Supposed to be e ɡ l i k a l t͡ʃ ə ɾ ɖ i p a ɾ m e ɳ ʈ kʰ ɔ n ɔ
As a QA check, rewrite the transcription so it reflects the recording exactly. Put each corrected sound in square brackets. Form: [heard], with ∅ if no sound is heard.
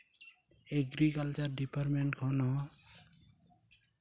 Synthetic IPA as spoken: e ɡ [ɾ] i k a l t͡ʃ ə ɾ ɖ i p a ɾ m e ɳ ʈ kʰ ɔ n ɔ